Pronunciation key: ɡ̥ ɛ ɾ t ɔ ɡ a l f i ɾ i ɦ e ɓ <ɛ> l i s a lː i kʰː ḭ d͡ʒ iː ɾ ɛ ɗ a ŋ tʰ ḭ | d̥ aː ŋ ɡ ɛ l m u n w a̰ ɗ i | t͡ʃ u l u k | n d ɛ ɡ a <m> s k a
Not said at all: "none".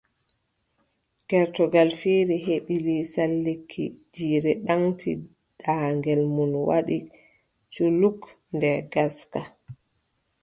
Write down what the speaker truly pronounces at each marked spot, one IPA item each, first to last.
i, none

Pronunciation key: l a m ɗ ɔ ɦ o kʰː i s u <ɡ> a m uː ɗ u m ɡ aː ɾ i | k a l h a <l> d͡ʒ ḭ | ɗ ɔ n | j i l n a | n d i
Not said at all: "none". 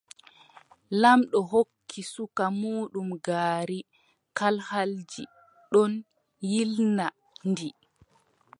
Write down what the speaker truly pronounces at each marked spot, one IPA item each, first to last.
k, l

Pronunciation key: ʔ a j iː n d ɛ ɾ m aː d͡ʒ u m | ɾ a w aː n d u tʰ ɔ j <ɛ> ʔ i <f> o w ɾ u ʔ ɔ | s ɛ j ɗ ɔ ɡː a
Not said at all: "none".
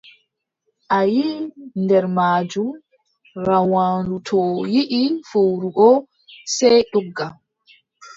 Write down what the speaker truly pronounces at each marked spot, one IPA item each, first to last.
i, f

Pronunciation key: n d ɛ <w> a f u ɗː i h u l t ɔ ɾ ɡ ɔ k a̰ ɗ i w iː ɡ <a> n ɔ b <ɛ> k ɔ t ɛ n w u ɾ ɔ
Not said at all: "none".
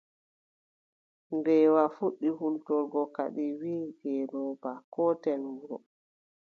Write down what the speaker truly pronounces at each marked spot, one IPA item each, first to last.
w, ɛ, a

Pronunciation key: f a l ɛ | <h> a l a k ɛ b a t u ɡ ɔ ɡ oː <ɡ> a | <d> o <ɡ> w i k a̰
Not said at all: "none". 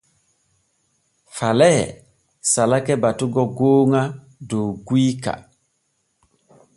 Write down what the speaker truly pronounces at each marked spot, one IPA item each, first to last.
s, ŋ, d, ɡ

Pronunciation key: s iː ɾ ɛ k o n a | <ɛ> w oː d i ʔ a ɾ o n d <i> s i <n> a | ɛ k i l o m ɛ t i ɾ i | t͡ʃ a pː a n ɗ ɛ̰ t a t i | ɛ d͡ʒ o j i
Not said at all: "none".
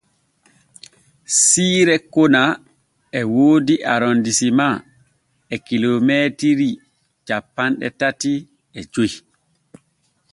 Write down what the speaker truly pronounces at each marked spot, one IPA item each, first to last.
ɛ, i, m

